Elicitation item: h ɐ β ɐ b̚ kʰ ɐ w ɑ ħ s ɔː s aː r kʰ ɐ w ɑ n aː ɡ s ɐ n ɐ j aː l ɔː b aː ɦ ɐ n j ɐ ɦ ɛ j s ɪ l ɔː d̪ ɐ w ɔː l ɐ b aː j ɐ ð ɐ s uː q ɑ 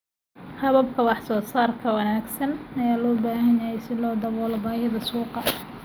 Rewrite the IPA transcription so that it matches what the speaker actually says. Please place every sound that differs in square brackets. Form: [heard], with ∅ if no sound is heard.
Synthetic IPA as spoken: h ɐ β ɐ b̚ kʰ ɐ w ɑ ħ s ɔː s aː r kʰ ɐ w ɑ n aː ɡ s ɐ n ɐ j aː l ɔː b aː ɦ ɐ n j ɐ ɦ ɛ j s ɪ l ɔː d̪ ɐ [β] ɔː l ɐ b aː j ɐ ð ɐ s uː q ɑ